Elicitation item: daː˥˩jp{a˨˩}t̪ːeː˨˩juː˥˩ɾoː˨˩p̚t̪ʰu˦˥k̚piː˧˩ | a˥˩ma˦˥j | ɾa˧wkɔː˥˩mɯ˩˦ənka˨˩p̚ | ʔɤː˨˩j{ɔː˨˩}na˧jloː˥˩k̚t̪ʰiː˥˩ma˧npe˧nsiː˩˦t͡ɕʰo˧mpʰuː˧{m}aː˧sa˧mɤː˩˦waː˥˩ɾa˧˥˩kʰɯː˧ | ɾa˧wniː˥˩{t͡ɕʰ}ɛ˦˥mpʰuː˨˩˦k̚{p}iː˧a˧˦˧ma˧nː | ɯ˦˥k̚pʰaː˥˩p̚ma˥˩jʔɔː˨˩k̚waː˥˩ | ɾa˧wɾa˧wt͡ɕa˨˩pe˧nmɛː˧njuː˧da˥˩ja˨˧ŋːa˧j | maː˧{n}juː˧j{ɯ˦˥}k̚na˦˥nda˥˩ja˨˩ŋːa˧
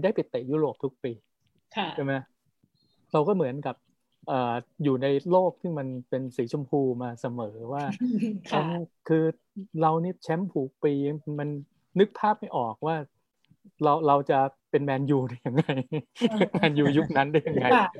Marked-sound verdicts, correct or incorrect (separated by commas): incorrect, incorrect, correct, correct, correct, correct, incorrect